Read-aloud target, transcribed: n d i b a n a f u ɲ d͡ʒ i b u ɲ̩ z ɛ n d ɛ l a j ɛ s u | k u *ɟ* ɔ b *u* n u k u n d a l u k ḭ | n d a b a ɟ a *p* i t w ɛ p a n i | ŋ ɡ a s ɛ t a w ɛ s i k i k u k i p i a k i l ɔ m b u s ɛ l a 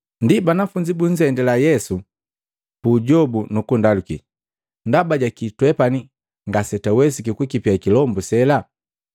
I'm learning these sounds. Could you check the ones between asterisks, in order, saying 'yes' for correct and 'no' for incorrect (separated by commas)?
yes, yes, no